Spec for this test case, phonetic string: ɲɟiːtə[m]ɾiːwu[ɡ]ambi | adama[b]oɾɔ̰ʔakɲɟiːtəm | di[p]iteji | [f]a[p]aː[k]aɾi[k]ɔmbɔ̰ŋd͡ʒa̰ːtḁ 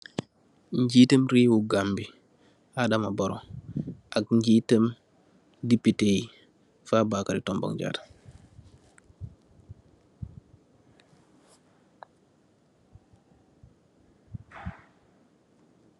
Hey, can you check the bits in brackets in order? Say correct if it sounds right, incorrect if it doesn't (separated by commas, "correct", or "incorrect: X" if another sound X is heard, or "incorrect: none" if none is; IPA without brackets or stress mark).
correct, correct, correct, correct, correct, incorrect: b, correct, incorrect: t